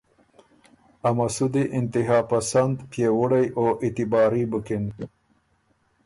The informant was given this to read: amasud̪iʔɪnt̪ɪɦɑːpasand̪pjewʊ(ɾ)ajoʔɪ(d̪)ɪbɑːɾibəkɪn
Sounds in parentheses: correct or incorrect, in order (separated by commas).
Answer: incorrect, incorrect